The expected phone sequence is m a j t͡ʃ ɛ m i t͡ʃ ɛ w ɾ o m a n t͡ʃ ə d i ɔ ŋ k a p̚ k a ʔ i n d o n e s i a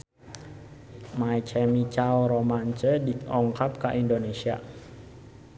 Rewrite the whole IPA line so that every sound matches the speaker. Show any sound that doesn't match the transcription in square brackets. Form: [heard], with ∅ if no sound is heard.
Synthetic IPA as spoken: m a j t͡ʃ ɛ m i t͡ʃ [a] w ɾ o m a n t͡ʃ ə d i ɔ ŋ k a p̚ k a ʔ i n d o n e s i a